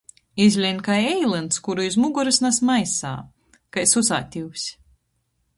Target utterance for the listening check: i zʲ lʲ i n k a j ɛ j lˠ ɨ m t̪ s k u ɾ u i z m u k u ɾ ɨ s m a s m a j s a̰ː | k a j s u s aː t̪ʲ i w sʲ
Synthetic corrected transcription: i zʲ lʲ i n k a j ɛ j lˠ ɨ n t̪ s k u ɾ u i z m u ɡ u ɾ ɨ s n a s m a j s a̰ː | k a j s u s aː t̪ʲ i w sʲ